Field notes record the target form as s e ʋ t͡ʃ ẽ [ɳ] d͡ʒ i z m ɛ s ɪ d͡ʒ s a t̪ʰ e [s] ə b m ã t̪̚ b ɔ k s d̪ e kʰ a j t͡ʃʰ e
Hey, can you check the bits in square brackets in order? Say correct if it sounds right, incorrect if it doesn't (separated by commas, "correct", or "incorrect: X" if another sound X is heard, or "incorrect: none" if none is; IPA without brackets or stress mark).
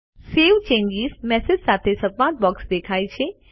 incorrect: ɲ, correct